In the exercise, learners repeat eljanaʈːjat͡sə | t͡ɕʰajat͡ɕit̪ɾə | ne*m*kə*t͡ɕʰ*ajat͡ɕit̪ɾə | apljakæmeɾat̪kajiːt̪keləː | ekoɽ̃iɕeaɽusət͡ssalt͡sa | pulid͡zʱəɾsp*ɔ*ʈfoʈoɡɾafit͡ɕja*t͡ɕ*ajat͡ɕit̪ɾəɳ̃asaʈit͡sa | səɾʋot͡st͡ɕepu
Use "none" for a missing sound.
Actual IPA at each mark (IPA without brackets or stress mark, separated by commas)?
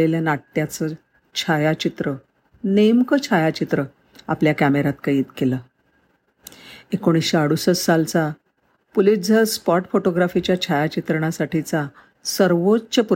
m, t͡ɕʰ, ɔ, t͡ɕʰ